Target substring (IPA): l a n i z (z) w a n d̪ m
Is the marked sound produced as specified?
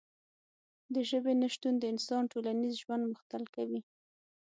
no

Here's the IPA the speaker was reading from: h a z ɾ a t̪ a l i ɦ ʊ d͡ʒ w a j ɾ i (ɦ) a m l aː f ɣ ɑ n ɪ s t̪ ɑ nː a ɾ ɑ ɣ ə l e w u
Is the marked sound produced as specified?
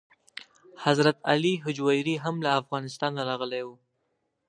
yes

